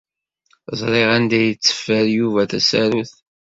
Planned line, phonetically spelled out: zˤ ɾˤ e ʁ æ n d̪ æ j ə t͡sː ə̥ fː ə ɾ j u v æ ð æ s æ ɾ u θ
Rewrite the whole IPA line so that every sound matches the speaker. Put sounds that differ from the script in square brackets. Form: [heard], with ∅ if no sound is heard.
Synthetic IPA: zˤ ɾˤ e ʁ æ n d̪ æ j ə t͡sː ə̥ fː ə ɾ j u v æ [θ] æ s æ ɾ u θ